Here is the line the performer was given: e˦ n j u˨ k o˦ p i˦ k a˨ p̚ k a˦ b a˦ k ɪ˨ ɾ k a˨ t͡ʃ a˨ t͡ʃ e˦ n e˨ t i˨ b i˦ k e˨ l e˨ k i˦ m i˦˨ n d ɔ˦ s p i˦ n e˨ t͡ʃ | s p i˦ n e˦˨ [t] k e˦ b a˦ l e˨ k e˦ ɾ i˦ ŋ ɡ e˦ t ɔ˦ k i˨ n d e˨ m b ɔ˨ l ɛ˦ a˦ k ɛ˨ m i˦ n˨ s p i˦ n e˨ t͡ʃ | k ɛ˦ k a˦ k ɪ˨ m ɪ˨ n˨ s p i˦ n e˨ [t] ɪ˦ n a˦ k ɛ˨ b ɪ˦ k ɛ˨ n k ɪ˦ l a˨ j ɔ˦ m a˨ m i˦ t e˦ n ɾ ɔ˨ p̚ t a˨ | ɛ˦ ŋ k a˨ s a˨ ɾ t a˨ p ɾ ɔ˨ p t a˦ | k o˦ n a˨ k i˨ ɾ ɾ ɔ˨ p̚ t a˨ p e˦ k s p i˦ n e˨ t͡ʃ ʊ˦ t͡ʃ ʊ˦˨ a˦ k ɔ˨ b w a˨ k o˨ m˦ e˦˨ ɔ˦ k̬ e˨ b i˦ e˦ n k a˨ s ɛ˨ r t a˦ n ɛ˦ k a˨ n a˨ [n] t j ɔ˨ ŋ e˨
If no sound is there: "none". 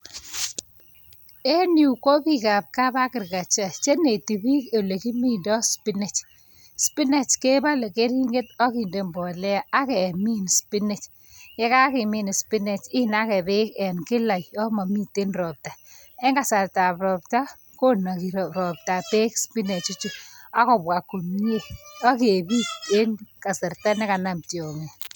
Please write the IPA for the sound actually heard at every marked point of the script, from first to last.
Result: t͡ʃ, t͡ʃ, m

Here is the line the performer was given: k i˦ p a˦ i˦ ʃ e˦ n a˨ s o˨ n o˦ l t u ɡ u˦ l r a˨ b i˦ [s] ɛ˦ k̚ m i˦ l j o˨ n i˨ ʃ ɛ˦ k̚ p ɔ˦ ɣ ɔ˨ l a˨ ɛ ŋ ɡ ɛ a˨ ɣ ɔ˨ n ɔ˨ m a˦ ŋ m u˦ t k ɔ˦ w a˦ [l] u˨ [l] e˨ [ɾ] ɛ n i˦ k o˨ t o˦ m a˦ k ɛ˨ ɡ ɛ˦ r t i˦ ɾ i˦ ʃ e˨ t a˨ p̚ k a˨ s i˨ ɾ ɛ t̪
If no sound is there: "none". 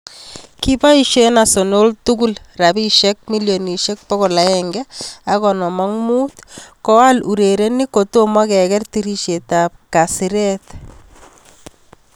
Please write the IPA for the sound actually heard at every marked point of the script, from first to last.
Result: ʃ, l, ɾ, ɾ

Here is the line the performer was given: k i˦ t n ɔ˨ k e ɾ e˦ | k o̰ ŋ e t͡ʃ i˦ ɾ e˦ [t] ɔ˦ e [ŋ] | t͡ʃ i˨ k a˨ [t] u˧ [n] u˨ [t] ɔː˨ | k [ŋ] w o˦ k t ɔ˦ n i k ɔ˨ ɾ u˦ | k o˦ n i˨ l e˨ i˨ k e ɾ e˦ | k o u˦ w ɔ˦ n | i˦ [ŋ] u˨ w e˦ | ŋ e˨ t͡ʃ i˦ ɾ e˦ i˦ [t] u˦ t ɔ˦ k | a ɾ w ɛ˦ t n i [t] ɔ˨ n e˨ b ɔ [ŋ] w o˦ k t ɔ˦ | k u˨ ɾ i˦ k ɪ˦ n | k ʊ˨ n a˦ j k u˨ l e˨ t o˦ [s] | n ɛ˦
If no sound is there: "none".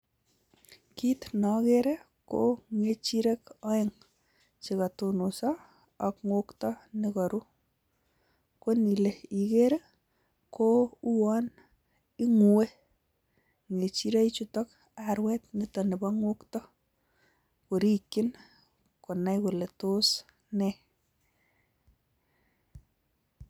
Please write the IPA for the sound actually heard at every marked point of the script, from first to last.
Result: k, ŋ, t, n, s, ŋ, ŋ, t͡ʃ, t, ŋ, s

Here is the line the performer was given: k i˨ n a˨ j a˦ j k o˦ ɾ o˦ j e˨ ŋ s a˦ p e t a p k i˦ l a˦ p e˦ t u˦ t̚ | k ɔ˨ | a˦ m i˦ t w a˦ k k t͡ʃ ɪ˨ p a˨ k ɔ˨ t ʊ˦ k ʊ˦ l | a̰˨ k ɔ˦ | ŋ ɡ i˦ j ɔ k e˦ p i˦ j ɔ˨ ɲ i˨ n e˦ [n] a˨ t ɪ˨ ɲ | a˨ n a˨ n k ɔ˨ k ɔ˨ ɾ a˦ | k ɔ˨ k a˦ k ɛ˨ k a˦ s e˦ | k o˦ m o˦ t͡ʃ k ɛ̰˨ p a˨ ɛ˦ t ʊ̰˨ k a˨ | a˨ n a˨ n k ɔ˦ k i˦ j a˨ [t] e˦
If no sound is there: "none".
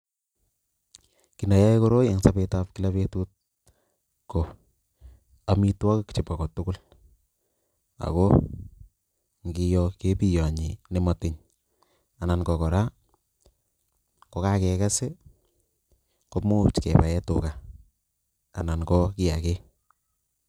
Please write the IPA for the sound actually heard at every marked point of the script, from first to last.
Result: m, k

